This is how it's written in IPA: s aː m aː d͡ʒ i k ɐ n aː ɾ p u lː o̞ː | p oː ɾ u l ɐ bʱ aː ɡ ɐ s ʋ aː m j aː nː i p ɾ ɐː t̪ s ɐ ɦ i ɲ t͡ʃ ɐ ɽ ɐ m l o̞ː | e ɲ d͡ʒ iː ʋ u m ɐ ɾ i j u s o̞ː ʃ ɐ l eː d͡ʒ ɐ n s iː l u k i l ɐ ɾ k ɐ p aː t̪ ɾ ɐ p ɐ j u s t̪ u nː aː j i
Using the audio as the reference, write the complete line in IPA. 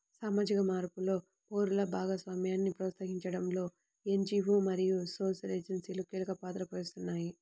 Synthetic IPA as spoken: s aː m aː d͡ʒ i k ɐ m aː ɾ p u l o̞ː | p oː ɾ u l ɐ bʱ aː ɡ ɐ s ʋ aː m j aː nː i p ɾ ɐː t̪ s ɐ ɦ i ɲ t͡ʃ ɐ ɽ ɐ m l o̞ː | e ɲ d͡ʒ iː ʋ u m ɐ ɾ i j u s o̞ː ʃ ɐ l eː d͡ʒ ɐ n s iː l u k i l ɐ k ɐ p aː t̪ ɾ ɐ p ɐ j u s t̪ u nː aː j i